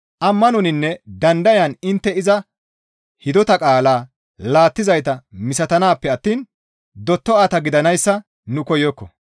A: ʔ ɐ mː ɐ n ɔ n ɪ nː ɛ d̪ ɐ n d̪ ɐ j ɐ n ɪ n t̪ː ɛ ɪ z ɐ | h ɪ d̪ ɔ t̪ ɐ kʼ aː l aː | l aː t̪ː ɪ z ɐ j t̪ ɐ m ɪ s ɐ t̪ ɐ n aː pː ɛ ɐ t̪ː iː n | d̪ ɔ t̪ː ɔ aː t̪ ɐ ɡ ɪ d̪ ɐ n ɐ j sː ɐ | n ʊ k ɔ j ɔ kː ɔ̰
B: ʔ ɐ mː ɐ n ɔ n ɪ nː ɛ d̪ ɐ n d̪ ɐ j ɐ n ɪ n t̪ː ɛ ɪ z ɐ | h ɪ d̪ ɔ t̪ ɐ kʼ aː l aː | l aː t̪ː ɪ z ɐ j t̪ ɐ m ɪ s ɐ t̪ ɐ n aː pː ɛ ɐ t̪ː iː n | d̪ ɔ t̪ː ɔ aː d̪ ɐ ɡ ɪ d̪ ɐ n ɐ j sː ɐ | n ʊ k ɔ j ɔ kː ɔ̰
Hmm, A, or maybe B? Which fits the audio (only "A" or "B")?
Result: A